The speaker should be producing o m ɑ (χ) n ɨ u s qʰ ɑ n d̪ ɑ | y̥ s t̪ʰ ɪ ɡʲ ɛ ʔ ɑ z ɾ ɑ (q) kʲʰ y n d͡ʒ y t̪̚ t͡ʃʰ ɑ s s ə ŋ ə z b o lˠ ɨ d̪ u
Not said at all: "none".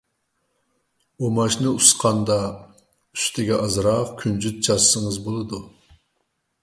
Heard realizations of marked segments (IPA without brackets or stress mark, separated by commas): ʃ, q